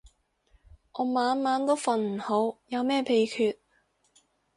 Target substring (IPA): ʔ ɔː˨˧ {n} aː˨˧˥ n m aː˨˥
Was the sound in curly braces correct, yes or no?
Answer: no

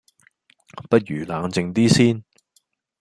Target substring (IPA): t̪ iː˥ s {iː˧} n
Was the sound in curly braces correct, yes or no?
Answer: no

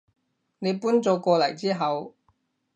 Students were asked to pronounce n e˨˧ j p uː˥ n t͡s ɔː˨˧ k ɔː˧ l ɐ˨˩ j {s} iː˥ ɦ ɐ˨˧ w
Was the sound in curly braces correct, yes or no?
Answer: no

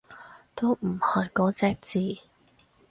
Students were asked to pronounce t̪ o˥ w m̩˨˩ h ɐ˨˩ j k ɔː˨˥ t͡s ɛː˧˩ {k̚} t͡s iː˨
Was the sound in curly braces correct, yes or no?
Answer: yes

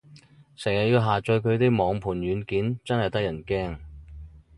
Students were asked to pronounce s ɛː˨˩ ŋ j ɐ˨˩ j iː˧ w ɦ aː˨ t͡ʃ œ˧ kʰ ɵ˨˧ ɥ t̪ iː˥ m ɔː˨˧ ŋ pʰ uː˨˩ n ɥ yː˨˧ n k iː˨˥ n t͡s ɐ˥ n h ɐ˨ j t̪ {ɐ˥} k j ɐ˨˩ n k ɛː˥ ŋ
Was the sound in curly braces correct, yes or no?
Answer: yes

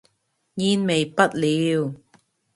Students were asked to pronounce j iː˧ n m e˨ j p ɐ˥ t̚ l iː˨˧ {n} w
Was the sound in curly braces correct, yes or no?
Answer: no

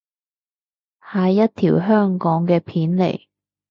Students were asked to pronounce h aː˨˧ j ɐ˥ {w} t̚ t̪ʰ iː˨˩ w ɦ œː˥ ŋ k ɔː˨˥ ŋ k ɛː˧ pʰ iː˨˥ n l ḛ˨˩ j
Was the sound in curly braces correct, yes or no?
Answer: no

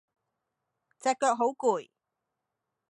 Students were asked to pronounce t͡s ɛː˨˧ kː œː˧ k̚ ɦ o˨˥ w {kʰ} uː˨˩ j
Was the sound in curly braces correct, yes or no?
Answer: no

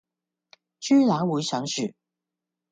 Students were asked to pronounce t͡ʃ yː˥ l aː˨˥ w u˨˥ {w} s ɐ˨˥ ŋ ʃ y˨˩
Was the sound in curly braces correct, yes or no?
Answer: no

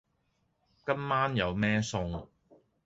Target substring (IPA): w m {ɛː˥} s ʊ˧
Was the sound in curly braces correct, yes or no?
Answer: yes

